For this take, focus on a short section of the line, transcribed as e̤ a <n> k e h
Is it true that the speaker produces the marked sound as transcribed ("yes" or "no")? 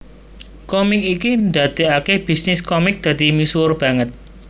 no